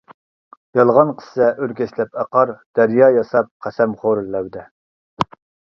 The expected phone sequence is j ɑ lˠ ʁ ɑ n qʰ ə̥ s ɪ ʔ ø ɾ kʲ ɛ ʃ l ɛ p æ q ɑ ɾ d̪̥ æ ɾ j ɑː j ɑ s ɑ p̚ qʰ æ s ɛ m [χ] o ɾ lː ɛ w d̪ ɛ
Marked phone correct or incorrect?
correct